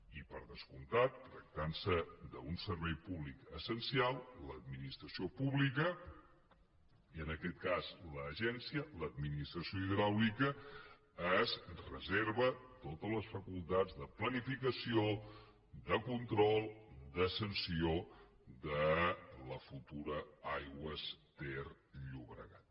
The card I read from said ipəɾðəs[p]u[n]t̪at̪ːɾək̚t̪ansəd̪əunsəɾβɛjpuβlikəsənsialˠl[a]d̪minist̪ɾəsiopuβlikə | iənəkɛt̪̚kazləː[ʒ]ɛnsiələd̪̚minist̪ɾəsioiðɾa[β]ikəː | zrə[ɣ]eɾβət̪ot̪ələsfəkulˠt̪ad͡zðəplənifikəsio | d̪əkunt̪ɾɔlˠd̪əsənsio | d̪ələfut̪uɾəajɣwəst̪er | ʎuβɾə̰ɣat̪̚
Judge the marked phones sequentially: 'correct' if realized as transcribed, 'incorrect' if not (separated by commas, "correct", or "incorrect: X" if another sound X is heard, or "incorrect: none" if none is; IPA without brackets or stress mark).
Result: incorrect: k, correct, incorrect: ə, correct, incorrect: w, incorrect: z